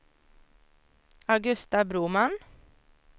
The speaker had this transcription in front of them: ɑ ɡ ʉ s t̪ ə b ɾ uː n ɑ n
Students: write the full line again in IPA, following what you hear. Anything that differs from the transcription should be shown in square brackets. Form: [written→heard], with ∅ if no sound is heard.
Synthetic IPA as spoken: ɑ ɡ ʉ s t̪ [ə→ɑ] b ɾ uː [n→m] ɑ n